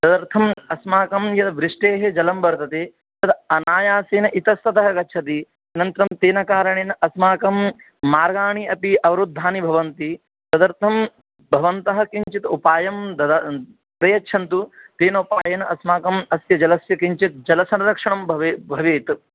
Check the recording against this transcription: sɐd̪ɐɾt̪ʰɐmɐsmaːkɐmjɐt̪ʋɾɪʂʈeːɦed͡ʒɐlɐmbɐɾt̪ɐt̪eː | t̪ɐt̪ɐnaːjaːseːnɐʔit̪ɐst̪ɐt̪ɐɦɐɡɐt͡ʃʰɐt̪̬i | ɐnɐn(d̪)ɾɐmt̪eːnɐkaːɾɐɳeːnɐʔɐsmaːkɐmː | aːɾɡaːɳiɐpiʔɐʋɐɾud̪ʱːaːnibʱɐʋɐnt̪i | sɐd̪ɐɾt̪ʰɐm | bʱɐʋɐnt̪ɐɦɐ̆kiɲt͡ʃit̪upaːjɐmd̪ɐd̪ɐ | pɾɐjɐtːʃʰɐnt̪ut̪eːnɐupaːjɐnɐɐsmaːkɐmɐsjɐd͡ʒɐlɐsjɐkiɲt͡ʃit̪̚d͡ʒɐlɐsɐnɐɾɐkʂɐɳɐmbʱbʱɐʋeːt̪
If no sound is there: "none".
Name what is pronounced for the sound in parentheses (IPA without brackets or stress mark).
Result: t̪